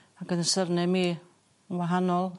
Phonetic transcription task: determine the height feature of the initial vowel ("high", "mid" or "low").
low